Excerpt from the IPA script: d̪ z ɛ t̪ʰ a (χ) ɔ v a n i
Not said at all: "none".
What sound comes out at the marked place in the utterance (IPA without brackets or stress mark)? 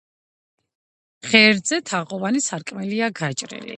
ʁ